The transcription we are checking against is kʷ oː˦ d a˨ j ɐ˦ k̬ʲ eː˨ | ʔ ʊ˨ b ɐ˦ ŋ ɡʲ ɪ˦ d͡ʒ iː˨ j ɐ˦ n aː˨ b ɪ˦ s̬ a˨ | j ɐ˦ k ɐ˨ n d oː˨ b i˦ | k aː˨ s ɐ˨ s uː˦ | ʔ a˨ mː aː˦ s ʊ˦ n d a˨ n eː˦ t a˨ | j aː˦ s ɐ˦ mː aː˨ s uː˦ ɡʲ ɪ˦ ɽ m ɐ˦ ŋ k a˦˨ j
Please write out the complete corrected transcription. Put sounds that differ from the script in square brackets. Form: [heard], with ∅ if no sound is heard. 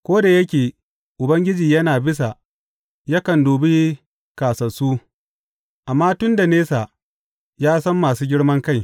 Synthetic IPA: kʷ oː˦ d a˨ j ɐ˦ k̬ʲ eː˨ | ʔ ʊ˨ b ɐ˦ ŋ ɡʲ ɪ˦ d͡ʒ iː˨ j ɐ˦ n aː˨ b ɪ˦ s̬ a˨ | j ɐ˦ k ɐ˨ n d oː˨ b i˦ | k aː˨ s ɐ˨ s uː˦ | ʔ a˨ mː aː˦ [t] ʊ˦ n d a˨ n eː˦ [s] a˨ | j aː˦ s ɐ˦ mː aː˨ s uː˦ ɡʲ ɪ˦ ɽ m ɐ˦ ŋ k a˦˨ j